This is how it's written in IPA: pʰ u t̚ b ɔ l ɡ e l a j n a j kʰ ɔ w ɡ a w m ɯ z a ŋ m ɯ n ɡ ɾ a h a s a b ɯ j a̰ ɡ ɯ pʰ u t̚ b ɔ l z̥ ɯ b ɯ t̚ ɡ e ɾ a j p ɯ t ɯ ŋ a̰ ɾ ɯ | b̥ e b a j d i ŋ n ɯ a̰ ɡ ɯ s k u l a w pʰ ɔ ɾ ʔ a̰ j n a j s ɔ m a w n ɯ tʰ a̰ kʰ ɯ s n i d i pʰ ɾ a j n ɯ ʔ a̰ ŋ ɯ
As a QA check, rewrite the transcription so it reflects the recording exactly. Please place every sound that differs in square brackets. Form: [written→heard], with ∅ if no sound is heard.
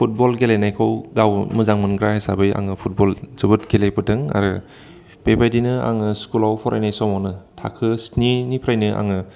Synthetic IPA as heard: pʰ u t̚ b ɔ l ɡ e l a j n a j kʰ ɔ w ɡ a w m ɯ z a ŋ m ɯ n ɡ ɾ a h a s a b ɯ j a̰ [ɡ→ŋ] ɯ pʰ u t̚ b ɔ l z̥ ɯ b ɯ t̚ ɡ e [ɾ→l] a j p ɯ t ɯ ŋ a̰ ɾ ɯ | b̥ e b a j d i [ŋ→∅] n ɯ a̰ [ɡ→ŋ] ɯ s k u l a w pʰ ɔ ɾ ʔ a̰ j n a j s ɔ m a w n ɯ tʰ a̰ kʰ ɯ s n i [d→n] i pʰ ɾ a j n ɯ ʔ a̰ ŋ ɯ